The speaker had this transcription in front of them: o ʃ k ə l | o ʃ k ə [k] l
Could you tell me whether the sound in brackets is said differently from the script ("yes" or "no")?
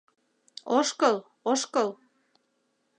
yes